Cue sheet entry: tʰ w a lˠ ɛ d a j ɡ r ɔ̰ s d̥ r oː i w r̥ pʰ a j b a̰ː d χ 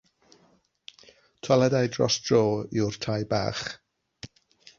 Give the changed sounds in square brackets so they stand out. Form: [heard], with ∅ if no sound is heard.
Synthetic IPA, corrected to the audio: tʰ w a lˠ ɛ d a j [d] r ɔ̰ s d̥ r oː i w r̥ [tʰ] a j b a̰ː [∅] χ